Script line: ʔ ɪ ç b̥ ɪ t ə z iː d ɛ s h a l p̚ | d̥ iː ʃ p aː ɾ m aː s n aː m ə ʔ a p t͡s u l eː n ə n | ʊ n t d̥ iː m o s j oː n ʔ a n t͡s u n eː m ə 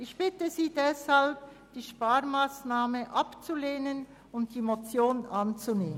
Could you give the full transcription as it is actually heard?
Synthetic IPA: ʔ ɪ ç b̥ ɪ t ə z iː d ɛ s h a l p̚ | d̥ iː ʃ p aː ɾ m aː s n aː m ə ʔ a p t͡s u l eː n ə n | ʊ n t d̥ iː m o t͡s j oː n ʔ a n t͡s u n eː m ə

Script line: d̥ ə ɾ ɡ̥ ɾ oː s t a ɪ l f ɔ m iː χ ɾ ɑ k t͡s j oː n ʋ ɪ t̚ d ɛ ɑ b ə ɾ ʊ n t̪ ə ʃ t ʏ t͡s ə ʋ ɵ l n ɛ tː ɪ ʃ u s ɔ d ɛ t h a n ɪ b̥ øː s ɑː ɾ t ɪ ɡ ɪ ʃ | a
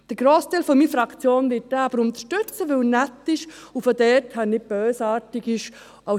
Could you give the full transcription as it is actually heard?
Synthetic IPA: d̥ ə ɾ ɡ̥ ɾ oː s t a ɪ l f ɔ m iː f ɾ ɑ k t͡s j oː n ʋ ɪ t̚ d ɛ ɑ b ə ɾ ʊ n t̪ ə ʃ t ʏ t͡s ə ʋ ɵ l n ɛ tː ɪ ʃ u f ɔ d ɛ t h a n ɪ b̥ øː s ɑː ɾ t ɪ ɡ ɪ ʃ | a

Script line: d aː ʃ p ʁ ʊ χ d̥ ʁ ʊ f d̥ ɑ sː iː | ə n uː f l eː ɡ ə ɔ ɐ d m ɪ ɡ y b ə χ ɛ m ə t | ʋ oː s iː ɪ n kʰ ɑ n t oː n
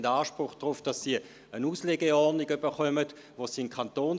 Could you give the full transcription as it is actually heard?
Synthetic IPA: d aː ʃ p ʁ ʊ χ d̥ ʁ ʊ f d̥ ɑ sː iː | ə n uː s l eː ɡ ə ɔ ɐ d n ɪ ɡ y b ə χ œ m ə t | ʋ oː s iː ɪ n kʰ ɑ n t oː n

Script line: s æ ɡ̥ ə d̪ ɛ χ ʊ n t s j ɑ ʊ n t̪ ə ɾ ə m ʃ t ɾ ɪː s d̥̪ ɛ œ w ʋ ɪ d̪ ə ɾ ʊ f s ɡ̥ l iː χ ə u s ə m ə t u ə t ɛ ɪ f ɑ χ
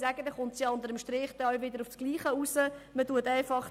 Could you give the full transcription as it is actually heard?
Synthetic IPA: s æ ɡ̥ ə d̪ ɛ χ ʊ n t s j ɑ ʊ n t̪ ə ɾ ə m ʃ t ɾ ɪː χ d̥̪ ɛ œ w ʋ ɪ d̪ ə ɾ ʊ f s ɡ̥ l iː χ ə u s ə m ə t u ə t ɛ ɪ f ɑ χ

